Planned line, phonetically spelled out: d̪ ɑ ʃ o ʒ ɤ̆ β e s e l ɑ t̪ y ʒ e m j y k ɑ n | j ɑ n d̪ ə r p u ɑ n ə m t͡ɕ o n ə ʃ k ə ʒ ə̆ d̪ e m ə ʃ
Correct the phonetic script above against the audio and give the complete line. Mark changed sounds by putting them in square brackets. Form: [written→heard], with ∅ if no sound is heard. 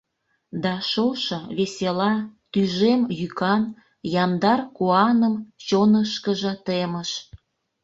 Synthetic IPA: d̪ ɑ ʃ o [ʒ→ʃ] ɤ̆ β e s e l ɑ t̪ y ʒ e m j y k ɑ n | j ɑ n d̪ [ə→ɑ] r [p→k] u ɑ n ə m t͡ɕ o n ə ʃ k ə ʒ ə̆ [d̪→t̪] e m ə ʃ